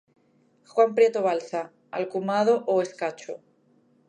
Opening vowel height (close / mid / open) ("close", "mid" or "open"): open